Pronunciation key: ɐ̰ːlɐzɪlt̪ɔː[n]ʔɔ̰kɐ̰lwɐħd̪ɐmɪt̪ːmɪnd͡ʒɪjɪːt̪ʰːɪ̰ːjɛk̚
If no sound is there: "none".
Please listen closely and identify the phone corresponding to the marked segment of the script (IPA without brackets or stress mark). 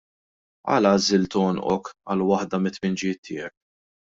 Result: n